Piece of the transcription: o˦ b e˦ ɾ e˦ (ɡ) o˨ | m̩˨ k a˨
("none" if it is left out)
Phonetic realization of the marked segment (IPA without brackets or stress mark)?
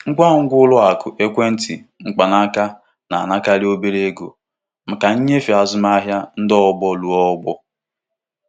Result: ɡ